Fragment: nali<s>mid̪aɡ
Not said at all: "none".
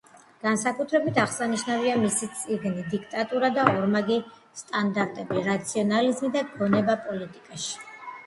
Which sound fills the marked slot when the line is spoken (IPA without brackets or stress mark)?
z